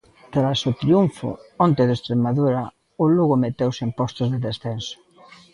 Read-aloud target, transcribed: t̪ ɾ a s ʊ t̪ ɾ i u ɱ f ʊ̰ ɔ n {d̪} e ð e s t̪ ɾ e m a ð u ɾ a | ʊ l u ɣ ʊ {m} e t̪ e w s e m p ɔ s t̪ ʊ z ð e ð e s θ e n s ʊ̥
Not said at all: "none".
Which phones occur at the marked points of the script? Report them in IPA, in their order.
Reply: t̪, m

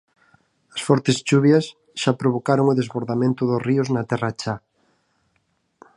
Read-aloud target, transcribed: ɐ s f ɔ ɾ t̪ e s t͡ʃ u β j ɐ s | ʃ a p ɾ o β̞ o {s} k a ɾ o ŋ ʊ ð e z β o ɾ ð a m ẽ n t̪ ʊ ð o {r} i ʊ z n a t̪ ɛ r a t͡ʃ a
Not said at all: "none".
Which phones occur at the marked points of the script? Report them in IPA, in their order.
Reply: none, r

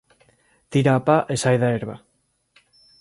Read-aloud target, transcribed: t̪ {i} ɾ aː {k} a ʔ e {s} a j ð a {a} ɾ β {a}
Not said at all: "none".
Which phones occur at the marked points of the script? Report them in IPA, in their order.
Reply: i, p, s, e, a

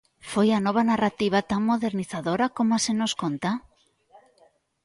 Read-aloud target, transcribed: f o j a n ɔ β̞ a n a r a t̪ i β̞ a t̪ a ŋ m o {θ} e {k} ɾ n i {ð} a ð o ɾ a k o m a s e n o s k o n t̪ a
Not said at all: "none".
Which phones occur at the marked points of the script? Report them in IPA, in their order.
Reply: ð, none, θ

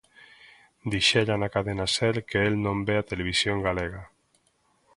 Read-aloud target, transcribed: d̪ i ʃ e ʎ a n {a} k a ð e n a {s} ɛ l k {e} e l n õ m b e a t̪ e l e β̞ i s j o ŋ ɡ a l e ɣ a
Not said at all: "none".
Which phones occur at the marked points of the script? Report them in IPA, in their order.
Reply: a, s, e

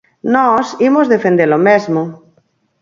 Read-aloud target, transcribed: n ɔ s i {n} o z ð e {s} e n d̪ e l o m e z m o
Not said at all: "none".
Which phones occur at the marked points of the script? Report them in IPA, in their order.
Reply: m, f

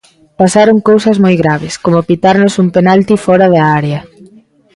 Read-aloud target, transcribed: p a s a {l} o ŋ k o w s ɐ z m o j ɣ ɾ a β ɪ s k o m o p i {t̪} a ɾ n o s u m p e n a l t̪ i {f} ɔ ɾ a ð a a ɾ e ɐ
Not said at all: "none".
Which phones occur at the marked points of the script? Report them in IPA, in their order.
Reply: ɾ, t̪, f

